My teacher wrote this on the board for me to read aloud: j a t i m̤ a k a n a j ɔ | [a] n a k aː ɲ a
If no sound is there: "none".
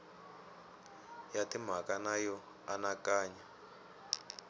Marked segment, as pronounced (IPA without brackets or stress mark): a